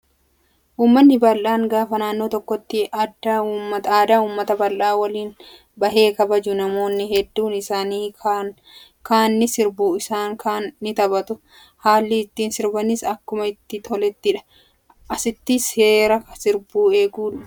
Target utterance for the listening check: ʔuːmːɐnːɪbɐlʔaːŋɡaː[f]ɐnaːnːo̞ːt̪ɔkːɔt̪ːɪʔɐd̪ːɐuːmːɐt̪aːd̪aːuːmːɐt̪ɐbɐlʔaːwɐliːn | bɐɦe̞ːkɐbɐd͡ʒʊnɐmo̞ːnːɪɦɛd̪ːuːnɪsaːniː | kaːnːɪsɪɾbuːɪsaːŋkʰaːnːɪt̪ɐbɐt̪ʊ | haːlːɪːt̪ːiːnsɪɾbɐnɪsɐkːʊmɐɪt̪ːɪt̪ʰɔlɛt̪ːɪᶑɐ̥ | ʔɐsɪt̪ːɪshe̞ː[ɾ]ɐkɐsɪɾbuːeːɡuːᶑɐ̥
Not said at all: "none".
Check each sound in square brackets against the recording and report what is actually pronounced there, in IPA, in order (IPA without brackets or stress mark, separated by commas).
f, ɾ